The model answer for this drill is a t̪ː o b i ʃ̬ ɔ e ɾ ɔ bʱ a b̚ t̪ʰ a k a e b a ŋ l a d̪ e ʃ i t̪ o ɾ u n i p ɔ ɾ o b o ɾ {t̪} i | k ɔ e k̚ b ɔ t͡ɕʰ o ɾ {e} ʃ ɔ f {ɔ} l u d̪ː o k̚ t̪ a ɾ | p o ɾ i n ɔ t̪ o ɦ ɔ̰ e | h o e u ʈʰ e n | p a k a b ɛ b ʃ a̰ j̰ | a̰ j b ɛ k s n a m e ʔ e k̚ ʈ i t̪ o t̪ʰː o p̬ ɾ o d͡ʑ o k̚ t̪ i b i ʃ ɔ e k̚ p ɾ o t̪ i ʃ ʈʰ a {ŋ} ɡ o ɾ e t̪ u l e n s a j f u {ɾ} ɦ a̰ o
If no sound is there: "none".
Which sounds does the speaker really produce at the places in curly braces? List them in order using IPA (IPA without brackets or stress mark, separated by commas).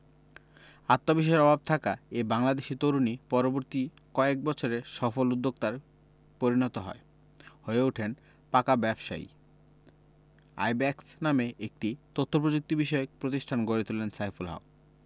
t̪, e, o, n, l